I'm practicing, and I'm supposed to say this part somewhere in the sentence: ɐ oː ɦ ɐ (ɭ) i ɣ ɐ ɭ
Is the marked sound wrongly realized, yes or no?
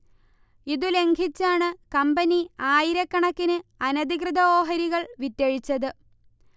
yes